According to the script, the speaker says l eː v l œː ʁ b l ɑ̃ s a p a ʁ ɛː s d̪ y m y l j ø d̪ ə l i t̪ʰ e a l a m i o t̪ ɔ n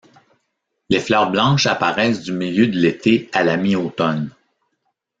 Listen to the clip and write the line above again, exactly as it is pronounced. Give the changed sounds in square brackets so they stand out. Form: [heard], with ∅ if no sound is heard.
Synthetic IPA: l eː [f] l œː ʁ b l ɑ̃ [ʃ] a p a ʁ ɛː s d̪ y m [i] l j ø d̪ ə l [e] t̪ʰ e a l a m i o t̪ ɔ n